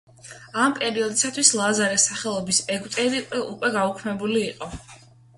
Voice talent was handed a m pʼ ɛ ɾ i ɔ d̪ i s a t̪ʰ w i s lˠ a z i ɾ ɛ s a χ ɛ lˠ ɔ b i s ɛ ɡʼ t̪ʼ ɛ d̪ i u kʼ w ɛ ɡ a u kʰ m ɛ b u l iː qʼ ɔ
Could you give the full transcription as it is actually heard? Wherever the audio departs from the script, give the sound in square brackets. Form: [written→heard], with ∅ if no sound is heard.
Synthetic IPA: a m pʼ ɛ ɾ i ɔ d̪ i s a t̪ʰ w i s lˠ a z [i→a] ɾ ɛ s a χ ɛ lˠ ɔ b i s ɛ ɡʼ t̪ʼ ɛ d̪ i u kʼ w ɛ ɡ a u kʰ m ɛ b u l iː qʼ ɔ